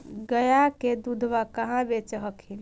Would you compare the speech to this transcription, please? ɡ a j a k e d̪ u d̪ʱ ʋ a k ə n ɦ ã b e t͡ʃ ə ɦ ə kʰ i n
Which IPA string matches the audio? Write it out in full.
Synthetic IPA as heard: ɡ ə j a k e d̪ u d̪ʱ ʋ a k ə ɦ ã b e t͡ʃ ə ɦ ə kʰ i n